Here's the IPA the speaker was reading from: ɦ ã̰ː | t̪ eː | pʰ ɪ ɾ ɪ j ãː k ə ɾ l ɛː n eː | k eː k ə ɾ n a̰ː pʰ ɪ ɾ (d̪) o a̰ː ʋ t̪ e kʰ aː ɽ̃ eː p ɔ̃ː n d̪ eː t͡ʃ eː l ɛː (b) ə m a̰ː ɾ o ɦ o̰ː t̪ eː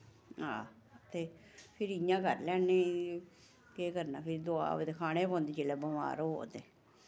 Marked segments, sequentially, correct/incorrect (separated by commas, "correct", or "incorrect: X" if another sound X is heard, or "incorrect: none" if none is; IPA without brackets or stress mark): correct, correct